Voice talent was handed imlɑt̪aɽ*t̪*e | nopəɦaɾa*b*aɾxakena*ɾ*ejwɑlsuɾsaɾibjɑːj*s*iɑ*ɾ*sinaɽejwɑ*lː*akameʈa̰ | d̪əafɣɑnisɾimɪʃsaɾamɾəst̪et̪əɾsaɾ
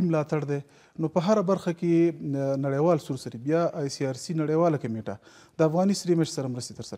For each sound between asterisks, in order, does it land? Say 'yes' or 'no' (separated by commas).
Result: no, yes, no, yes, yes, no